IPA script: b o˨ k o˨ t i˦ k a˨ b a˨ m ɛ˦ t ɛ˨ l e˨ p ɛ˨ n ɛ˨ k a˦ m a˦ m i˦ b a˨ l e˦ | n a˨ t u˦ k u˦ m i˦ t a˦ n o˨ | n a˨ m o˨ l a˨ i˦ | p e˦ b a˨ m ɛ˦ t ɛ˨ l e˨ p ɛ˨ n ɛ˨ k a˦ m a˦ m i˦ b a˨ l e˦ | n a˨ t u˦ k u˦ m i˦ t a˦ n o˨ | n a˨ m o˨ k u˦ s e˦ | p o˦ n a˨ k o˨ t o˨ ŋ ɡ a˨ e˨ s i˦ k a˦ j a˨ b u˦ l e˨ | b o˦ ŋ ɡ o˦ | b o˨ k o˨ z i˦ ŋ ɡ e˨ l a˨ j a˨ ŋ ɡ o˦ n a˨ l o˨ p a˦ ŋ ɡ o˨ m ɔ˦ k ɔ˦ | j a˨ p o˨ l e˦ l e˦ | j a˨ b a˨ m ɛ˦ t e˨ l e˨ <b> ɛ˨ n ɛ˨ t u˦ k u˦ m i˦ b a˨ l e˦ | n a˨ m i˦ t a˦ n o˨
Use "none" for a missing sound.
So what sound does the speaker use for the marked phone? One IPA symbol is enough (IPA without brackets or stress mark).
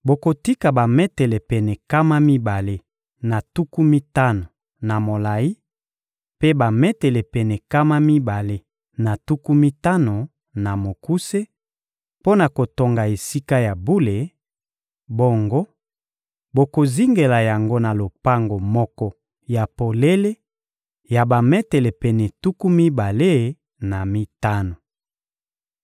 p